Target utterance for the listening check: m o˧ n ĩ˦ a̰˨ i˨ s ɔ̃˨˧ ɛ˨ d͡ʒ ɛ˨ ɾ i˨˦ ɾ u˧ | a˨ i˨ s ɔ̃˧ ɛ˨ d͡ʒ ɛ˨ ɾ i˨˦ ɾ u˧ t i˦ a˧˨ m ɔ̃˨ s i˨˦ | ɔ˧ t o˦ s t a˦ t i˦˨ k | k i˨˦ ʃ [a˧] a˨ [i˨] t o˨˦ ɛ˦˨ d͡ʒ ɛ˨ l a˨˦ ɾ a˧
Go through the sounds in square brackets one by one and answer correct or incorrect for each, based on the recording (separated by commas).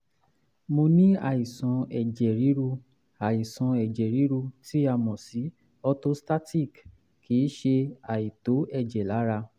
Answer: incorrect, correct